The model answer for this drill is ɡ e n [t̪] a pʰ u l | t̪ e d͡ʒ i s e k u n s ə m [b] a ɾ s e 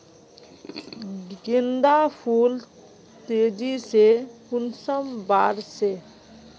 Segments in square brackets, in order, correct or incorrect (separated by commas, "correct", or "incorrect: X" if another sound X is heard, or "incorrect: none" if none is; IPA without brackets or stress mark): incorrect: d̪, correct